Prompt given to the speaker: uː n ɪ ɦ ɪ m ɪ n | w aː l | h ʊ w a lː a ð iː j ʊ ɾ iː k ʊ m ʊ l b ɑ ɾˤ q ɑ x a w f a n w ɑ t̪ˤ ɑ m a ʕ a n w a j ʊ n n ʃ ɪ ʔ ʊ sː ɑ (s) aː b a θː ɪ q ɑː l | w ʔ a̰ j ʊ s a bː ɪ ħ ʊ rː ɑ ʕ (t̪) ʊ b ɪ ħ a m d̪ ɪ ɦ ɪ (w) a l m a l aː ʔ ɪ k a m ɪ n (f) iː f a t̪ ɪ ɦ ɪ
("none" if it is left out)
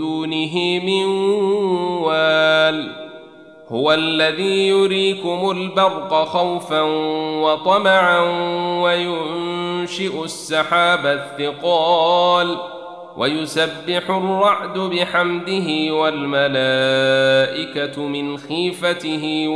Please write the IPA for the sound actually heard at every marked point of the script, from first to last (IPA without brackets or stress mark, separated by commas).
ħ, d̪, w, x